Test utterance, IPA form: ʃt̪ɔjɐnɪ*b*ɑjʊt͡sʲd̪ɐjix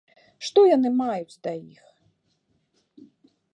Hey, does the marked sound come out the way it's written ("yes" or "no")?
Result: no